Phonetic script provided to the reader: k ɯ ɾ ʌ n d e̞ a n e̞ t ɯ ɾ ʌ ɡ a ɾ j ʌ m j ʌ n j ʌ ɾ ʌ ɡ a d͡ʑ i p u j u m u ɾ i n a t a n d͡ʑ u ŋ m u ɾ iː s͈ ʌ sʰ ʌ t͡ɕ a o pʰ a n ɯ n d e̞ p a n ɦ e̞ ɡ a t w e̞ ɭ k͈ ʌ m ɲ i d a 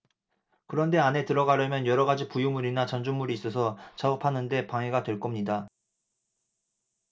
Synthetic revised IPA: k ɯ ɾ ʌ n d e̞ a n e̞ t ɯ ɾ ʌ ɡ a ɾ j ʌ m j ʌ n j ʌ ɾ ʌ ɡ a d͡ʑ i p u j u m u ɾ i n a t͡ɕ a n d͡ʑ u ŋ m u ɾ iː s͈ ʌ sʰ ʌ t͡ɕ a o pʰ a n ɯ n d e̞ p a ŋ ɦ e̞ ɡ a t w e̞ ɭ k͈ ʌ m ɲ i d a